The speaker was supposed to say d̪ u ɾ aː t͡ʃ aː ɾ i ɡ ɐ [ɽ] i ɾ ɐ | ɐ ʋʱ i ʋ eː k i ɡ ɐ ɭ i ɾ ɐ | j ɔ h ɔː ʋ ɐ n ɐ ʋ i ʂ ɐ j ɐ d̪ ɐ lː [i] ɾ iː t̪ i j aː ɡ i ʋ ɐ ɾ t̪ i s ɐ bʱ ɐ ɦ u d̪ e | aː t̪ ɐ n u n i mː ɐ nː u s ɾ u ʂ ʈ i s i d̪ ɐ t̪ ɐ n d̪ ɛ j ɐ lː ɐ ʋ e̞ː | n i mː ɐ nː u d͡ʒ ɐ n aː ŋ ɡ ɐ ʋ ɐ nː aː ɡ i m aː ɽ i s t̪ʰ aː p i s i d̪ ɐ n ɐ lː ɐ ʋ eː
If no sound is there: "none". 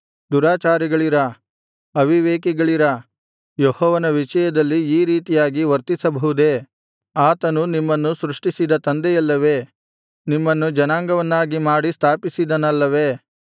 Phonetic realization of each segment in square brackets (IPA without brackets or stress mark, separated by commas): ɭ, iː